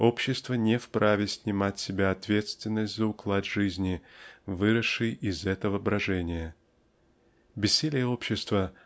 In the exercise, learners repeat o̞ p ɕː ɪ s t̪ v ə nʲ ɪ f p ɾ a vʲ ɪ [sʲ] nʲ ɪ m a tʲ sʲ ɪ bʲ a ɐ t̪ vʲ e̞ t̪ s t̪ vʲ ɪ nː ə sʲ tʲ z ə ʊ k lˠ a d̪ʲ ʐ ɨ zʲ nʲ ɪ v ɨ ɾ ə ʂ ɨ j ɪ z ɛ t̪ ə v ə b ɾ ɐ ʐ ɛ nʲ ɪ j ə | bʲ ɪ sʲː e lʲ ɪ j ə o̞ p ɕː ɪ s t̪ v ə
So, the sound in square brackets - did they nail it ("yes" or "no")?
yes